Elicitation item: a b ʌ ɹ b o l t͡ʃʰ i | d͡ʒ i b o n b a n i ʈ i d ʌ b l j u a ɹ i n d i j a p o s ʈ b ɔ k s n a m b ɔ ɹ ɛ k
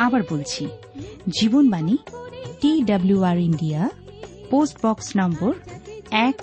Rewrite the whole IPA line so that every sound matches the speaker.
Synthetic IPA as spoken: a b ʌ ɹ b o l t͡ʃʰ i | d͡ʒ i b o n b a n i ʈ i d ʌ b l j u a ɹ i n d i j a p o s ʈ b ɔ k s n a m b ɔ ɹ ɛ k